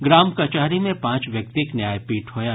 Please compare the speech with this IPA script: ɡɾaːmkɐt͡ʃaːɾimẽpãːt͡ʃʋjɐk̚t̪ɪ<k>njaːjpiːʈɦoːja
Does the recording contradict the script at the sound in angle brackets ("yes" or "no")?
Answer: no